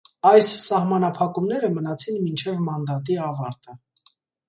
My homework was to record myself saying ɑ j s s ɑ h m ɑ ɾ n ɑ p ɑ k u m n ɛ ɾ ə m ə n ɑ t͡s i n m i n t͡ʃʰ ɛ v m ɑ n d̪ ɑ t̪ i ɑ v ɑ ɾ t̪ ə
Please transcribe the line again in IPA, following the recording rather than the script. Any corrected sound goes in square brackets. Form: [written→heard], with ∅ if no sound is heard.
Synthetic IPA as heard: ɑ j s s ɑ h m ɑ [ɾ→∅] n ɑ [p→pʰ] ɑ k u m n ɛ ɾ ə m ə n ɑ [t͡s→t͡sʰ] i n m i n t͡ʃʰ ɛ v m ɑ n d̪ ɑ t̪ i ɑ v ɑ ɾ t̪ ə